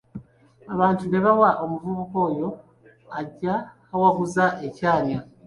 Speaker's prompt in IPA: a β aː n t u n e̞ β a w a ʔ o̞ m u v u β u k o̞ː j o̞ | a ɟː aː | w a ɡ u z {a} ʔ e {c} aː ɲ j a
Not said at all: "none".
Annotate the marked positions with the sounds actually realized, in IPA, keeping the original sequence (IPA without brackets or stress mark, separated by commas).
a, c